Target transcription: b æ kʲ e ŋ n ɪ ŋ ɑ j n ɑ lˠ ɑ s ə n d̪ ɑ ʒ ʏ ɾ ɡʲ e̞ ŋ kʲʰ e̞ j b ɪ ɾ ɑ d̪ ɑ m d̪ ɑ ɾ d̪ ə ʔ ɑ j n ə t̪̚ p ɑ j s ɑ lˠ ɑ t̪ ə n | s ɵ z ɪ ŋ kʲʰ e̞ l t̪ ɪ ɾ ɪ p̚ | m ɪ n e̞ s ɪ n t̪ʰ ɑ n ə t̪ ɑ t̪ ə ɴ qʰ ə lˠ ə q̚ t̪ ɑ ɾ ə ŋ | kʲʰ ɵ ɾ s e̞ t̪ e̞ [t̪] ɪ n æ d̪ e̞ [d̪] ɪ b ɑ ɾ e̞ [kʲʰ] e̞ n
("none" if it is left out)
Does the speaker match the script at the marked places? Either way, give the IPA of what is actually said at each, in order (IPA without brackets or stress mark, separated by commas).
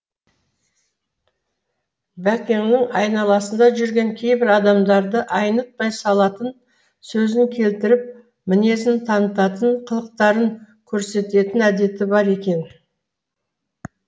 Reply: t̪, t̪, kʲ